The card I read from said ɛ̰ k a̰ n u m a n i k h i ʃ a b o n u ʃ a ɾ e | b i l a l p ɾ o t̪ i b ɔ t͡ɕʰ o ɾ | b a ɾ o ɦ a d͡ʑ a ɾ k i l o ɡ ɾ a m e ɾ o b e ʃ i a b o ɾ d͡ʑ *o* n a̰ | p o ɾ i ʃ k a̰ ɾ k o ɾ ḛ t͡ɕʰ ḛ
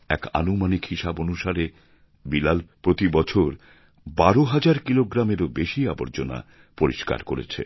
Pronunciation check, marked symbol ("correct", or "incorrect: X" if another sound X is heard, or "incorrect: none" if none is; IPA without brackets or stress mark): correct